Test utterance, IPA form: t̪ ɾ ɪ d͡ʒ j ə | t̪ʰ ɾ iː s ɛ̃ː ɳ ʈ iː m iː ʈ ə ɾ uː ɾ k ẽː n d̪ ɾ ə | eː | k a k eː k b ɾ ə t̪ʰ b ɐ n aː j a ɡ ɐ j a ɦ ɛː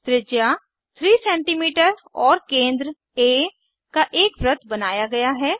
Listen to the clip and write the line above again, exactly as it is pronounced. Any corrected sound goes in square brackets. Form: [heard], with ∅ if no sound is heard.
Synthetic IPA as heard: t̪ ɾ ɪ d͡ʒ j [a] | t̪ʰ ɾ iː s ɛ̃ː ɳ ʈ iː m iː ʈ ə ɾ [ɔː] ɾ k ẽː n d̪ ɾ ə | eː | k a [ʔ] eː k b ɾ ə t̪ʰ b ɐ n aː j a ɡ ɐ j a ɦ ɛː